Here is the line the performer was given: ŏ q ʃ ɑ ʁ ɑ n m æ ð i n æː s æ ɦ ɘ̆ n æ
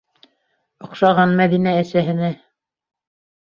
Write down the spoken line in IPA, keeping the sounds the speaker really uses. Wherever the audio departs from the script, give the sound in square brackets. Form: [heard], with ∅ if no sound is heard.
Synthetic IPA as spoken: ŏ q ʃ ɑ ʁ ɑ n m æ ð i n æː s æ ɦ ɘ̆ n æ